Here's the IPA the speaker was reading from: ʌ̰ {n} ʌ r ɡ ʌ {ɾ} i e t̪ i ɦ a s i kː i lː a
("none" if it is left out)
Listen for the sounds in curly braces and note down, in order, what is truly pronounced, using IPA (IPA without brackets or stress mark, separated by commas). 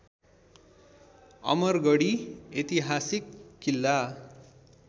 m, ɽ